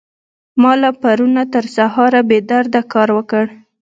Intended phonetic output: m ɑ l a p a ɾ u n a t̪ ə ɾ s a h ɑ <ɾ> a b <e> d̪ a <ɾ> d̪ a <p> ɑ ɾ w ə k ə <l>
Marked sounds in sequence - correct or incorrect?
correct, correct, correct, incorrect: k, incorrect: ɽ

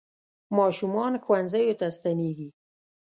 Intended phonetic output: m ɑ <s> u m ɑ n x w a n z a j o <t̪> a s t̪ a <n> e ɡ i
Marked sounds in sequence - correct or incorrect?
incorrect: ʃ, correct, correct

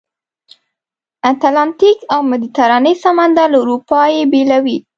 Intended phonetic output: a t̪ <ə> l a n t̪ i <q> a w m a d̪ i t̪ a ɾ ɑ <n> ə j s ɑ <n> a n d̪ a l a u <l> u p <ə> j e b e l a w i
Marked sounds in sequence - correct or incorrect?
incorrect: a, incorrect: k, correct, incorrect: m, incorrect: ɾ, incorrect: ɑ

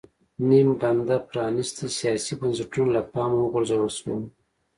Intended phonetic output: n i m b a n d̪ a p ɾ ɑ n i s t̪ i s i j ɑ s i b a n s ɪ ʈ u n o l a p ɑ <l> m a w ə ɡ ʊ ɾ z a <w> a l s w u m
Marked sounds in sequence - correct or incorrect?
incorrect: none, correct

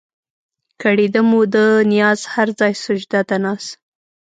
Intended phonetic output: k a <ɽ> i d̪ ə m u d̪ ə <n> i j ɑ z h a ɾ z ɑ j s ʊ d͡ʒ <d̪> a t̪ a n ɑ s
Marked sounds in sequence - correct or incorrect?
correct, correct, correct

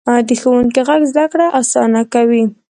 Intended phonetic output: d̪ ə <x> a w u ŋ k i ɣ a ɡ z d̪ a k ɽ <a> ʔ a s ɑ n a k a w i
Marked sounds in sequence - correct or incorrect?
correct, correct

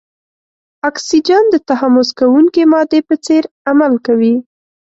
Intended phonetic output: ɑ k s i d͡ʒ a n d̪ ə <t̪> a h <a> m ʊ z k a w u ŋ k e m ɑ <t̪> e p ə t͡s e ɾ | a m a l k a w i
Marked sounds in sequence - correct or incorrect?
correct, correct, incorrect: d̪

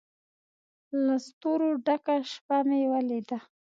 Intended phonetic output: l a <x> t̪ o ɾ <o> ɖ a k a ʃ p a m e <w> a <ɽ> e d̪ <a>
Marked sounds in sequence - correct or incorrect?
incorrect: s, correct, correct, incorrect: l, correct

